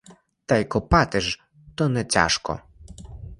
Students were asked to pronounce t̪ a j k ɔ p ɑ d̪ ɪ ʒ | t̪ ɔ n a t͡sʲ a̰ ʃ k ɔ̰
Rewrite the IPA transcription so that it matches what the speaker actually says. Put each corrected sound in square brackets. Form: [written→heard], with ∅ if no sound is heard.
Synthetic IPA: t̪ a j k ɔ p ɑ [d̪→t̪] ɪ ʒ | t̪ ɔ n [a→ɛ] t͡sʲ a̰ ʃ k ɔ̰